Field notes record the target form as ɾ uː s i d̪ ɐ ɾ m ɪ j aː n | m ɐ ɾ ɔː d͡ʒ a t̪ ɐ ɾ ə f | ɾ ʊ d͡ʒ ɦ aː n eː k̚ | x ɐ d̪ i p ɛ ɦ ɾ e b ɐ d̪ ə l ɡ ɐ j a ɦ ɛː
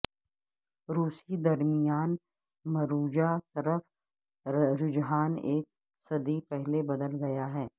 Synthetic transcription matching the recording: ɾ uː s i d̪ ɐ ɾ m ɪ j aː n | m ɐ ɾ uː d͡ʒ a t̪ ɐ ɾ ə f | ɾ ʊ d͡ʒ ɦ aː n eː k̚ | s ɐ d̪ i p ɛ ɦ l e b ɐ d̪ ə l ɡ ɐ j a ɦ ɛː